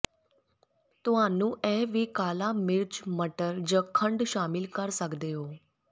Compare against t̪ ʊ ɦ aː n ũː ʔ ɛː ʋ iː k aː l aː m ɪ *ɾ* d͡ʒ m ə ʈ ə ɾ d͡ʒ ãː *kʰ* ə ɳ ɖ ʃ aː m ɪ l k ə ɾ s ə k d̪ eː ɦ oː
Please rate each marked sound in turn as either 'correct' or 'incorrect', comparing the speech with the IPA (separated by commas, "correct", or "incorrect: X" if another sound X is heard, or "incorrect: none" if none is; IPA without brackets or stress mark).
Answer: correct, correct